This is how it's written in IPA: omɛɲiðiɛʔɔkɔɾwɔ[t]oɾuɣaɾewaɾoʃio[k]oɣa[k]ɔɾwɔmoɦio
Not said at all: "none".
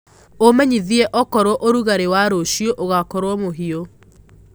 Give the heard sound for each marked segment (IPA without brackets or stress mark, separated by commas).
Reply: ʔ, ʔ, k